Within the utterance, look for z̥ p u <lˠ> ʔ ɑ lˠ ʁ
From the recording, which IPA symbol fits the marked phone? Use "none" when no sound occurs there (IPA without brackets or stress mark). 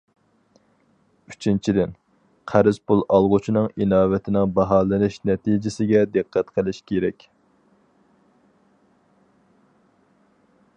lˠ